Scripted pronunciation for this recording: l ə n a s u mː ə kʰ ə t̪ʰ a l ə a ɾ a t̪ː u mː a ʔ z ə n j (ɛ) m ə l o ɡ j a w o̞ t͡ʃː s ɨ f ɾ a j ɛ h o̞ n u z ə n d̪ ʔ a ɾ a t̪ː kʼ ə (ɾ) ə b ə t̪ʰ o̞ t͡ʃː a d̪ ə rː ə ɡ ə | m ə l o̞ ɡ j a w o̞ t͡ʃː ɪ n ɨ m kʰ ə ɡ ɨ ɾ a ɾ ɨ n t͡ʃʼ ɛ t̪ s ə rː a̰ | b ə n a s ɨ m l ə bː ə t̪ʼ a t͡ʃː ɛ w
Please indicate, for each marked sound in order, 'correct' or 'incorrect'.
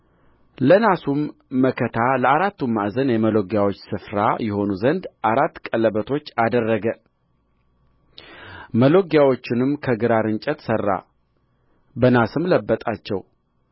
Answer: correct, incorrect

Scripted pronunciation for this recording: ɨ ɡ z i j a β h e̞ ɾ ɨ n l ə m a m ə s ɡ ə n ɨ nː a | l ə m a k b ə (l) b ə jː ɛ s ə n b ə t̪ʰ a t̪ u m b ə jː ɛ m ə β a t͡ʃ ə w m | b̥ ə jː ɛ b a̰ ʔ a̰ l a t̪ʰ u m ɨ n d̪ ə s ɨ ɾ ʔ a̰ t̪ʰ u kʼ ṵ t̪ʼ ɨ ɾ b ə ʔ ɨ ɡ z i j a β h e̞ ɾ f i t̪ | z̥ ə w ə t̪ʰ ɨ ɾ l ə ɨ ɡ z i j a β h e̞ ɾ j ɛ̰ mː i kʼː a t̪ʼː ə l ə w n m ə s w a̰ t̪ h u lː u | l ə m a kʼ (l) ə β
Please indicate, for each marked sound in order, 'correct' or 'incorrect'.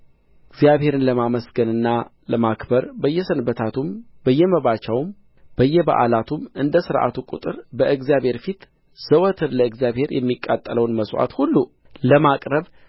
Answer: incorrect, incorrect

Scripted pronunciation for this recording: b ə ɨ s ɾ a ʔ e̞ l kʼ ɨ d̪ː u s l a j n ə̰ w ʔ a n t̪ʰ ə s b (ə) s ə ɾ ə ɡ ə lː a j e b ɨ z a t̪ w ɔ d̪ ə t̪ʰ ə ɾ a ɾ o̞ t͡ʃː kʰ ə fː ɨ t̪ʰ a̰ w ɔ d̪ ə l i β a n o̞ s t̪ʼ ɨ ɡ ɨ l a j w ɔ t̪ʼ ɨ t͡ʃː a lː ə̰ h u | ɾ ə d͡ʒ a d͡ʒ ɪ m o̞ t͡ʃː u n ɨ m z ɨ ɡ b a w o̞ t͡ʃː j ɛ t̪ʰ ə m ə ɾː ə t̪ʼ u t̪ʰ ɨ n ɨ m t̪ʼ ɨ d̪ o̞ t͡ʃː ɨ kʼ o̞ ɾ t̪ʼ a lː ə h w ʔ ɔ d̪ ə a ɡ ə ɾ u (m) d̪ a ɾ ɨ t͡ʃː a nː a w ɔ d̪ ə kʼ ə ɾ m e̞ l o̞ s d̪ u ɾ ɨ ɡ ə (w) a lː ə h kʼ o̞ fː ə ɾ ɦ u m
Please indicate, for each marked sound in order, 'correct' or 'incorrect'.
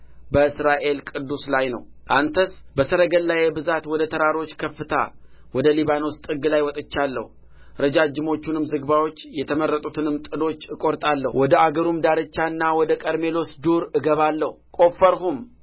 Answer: correct, correct, incorrect

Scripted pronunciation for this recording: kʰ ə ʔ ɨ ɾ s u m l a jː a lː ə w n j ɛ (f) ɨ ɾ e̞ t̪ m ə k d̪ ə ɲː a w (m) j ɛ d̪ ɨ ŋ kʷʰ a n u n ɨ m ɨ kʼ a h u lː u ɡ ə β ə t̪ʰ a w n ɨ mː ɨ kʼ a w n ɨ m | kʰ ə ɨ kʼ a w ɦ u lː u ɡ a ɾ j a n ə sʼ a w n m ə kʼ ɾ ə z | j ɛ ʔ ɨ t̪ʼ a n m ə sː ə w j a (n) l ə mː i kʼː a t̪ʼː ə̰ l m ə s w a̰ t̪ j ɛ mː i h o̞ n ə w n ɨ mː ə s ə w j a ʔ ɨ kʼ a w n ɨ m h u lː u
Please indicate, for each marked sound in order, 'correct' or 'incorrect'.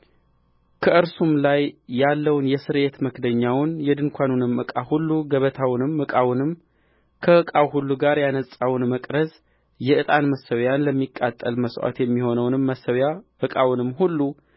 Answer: incorrect, incorrect, correct

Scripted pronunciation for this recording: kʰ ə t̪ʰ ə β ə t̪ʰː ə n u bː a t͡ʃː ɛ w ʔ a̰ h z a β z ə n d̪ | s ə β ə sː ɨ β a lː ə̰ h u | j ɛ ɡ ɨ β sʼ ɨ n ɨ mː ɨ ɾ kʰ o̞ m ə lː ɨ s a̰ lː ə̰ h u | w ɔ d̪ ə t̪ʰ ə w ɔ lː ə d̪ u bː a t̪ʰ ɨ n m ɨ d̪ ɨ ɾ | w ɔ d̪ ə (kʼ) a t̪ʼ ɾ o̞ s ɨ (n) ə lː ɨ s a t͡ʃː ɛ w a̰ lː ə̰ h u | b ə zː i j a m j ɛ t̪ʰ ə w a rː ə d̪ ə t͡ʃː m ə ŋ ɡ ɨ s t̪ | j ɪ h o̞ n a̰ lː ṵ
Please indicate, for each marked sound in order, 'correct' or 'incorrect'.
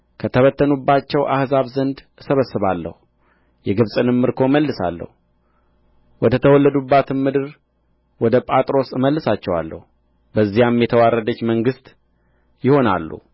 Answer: incorrect, incorrect

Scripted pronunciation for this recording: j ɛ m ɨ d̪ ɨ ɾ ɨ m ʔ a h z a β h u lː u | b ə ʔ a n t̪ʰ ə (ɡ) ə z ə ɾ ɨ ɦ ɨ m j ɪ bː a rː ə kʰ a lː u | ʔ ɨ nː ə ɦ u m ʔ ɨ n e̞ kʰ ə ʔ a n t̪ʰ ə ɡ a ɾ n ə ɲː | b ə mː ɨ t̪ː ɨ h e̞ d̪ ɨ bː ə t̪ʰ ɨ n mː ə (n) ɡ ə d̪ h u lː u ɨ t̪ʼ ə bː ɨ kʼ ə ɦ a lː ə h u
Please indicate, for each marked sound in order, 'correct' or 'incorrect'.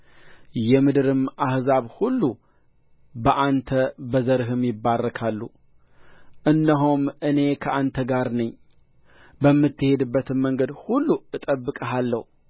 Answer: incorrect, incorrect

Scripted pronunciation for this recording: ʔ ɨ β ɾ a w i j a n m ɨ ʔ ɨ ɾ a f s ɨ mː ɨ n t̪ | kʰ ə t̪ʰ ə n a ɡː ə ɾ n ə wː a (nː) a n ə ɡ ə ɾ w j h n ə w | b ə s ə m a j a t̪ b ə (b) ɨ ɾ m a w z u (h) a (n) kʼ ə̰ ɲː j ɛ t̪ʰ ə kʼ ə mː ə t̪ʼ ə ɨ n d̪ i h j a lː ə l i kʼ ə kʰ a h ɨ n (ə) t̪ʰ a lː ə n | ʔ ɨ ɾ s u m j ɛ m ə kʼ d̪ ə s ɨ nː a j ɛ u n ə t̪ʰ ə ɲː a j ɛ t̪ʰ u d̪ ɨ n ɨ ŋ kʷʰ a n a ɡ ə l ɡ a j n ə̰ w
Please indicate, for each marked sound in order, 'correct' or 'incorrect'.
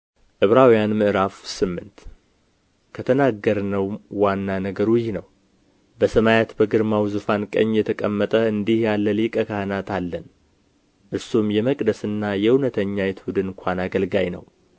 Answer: correct, incorrect, incorrect, correct, incorrect

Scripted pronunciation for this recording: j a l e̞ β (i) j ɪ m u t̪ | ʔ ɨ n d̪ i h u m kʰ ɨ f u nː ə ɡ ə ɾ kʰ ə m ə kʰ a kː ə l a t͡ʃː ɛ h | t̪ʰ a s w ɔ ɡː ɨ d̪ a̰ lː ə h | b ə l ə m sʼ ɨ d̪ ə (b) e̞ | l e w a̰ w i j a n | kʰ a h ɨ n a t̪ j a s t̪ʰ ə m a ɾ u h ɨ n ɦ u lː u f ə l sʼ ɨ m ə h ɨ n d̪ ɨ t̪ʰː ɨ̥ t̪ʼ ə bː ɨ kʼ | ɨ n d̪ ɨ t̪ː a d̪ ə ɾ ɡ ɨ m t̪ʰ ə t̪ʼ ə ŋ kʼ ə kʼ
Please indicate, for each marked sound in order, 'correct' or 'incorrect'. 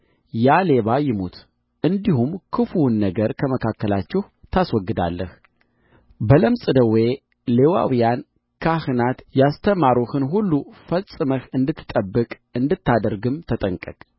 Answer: incorrect, incorrect

